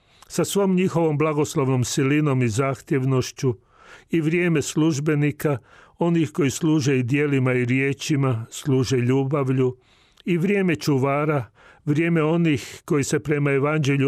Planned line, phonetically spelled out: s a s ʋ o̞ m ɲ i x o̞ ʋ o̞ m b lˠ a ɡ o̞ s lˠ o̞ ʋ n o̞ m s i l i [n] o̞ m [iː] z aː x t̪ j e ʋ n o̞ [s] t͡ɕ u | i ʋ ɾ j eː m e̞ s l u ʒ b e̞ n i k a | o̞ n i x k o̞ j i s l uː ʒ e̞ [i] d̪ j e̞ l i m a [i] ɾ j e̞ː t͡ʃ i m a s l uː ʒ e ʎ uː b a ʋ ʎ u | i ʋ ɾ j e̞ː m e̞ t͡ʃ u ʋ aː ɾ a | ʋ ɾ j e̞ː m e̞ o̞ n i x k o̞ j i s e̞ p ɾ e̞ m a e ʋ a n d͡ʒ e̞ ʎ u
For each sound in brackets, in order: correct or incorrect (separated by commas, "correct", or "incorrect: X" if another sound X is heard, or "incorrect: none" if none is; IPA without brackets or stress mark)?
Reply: correct, incorrect: i, incorrect: ʃ, correct, correct